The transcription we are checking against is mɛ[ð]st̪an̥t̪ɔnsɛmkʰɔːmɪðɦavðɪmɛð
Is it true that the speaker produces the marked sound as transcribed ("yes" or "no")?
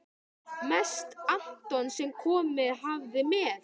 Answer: no